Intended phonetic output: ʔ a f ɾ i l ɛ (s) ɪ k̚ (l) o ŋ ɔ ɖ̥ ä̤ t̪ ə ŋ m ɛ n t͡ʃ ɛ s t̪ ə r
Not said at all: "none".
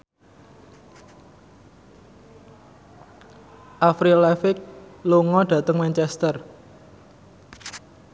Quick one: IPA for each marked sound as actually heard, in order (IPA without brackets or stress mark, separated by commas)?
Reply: f, l